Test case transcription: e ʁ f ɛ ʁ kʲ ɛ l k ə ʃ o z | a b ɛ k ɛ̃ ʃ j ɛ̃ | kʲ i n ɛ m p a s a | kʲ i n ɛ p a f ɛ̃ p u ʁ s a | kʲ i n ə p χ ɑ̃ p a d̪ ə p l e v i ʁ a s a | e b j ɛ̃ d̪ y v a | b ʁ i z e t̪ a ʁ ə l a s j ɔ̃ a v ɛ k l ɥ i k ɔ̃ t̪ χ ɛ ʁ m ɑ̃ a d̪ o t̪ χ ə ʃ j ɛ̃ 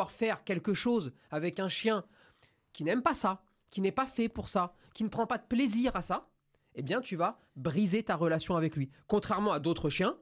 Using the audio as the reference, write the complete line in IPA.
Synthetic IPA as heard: a ʁ f ɛ ʁ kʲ ɛ l k ə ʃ o z | a v ɛ k ɛ̃ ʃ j ɛ̃ | kʲ i n ɛ m p a s a | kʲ i n ɛ p a f ɛ p u ʁ s a | kʲ i n ə p χ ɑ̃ p a d̪ ə p l e z i ʁ a s a | e b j ɛ̃ t̪ y v a | b ʁ i z e t̪ a ʁ ə l a s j ɔ̃ a v ɛ k l ɥ i k ɔ̃ t̪ χ ɛ ʁ m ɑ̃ a d̪ o t̪ χ ə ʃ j ɛ̃